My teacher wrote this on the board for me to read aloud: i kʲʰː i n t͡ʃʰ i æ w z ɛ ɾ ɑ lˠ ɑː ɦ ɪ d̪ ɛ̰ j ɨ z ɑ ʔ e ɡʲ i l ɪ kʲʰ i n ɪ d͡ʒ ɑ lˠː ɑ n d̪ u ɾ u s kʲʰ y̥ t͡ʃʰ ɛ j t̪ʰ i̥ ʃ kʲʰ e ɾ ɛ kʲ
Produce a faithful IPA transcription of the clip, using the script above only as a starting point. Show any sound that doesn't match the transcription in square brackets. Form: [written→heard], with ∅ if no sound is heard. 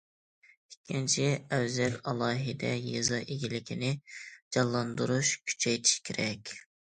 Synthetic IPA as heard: i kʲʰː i n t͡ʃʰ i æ w z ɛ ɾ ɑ lˠ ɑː ɦ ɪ d̪ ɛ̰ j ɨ z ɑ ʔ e ɡʲ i l ɪ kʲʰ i n ɪ d͡ʒ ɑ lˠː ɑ n d̪ u ɾ u [s→ʃ] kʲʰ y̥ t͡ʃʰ ɛ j t̪ʰ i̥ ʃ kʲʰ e ɾ ɛ kʲ

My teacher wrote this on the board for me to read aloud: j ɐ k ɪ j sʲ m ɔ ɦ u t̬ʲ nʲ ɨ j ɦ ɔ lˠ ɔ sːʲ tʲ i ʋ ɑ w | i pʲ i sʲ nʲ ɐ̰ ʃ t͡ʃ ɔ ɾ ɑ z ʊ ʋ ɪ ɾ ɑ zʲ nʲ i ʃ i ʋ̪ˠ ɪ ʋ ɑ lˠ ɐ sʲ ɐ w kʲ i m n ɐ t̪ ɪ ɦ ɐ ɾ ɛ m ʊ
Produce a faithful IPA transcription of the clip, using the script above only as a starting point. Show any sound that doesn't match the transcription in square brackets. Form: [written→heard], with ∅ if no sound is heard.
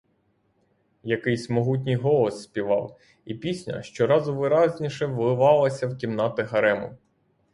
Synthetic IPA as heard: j ɐ k ɪ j sʲ m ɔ ɦ u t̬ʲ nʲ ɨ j ɦ ɔ lˠ ɔ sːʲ [tʲ→pʲ] i ʋ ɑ w | i pʲ i sʲ nʲ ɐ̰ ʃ t͡ʃ ɔ ɾ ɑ z ʊ ʋ ɪ ɾ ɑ zʲ nʲ i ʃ [i→ɛ] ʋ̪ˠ ɪ ʋ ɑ lˠ ɐ sʲ ɐ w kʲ i m n [ɐ→ɑ] t̪ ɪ ɦ ɐ ɾ ɛ m ʊ

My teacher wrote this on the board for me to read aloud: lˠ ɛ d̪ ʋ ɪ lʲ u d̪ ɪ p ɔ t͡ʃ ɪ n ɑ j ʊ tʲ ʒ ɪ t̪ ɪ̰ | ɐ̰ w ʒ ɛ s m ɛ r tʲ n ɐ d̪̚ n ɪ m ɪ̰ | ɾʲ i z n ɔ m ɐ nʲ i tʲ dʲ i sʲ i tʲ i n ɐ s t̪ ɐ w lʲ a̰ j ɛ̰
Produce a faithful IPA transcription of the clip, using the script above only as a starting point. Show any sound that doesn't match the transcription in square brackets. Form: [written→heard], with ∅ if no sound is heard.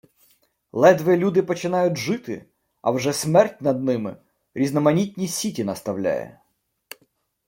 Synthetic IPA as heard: lˠ ɛ d̪ ʋ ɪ lʲ u d̪ ɪ p ɔ t͡ʃ ɪ n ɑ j ʊ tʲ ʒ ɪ t̪ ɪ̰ | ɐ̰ w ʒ ɛ s m ɛ r tʲ n ɐ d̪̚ n ɪ m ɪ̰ | ɾʲ i z n ɔ m ɐ nʲ i tʲ [dʲ→nʲ] i sʲ i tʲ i n ɐ s t̪ ɐ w lʲ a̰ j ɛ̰

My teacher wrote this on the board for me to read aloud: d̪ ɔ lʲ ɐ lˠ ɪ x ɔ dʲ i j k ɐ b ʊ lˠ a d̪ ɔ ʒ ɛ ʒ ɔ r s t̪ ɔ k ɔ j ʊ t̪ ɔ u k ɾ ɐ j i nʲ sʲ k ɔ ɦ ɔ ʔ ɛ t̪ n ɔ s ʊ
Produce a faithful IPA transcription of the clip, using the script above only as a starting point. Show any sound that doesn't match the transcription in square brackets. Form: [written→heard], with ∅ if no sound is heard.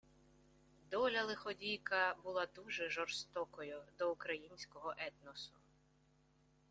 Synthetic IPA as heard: d̪ ɔ lʲ ɐ lˠ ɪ x ɔ dʲ i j k ɐ b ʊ lˠ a d̪ [ɔ→u] ʒ ɛ ʒ ɔ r s t̪ ɔ k ɔ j ʊ [t̪→d̪] ɔ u k ɾ ɐ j i nʲ sʲ k ɔ ɦ ɔ ʔ ɛ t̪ n ɔ s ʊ

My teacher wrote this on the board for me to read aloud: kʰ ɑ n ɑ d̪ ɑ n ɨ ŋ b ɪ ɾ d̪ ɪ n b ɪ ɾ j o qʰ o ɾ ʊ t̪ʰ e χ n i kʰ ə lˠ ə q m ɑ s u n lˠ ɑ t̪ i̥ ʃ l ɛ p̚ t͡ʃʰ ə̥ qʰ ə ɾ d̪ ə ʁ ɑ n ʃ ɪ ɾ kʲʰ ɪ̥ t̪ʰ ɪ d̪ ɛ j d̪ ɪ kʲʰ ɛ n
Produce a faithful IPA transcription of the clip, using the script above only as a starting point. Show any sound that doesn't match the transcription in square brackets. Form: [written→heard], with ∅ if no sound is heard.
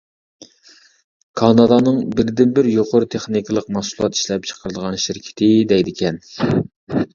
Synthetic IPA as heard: kʰ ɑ n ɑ d̪ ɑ n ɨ ŋ b ɪ ɾ d̪ ɪ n b ɪ ɾ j o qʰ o ɾ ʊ t̪ʰ e χ n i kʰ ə lˠ ə q m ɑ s u [n→∅] lˠ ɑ t̪ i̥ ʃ l ɛ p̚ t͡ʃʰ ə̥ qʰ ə ɾ d̪ ə ʁ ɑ n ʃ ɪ ɾ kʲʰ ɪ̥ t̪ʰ ɪ d̪ ɛ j d̪ ɪ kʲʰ ɛ n

